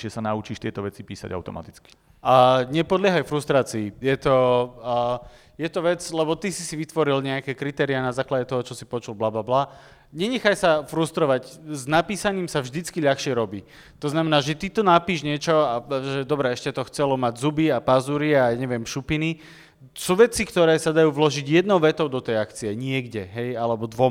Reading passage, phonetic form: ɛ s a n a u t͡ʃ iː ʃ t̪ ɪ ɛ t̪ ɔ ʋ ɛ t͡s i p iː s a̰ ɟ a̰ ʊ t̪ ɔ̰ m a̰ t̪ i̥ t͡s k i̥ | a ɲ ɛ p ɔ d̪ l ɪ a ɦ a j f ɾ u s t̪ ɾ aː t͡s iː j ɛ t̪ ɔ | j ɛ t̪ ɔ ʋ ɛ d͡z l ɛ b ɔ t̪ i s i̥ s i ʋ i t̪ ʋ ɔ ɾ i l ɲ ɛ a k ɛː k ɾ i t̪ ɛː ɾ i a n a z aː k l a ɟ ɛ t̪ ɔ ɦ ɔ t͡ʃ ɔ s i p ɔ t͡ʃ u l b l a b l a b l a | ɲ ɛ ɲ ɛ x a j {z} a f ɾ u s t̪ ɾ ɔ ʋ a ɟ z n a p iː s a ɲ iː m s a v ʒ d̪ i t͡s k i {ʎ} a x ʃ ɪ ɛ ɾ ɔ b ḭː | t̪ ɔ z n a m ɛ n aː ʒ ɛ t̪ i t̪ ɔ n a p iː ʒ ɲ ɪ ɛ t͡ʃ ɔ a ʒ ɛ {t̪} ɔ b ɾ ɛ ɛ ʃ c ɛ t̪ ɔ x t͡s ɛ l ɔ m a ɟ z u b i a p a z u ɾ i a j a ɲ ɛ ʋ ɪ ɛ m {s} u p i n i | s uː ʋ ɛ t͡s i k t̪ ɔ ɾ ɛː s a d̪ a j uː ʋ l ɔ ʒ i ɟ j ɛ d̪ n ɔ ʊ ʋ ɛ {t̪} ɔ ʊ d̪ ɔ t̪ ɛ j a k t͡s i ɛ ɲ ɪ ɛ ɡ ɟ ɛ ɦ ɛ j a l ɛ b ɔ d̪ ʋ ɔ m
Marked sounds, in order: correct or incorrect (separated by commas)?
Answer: incorrect, correct, incorrect, incorrect, correct